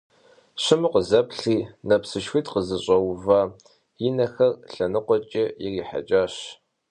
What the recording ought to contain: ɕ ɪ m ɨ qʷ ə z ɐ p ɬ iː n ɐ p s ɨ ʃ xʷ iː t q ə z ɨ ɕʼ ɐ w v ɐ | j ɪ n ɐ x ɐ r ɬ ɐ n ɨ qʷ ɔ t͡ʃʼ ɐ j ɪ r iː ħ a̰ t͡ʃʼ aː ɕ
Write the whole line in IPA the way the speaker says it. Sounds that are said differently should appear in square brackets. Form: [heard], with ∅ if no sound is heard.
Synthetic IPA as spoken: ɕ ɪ m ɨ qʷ ə z ɐ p ɬ iː n ɐ p s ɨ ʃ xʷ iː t q ə z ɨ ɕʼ ɐ w v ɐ | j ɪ n ɐ x ɐ r ɬ ɐ n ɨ qʷ ɔ t͡ʃʼ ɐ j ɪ r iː ħ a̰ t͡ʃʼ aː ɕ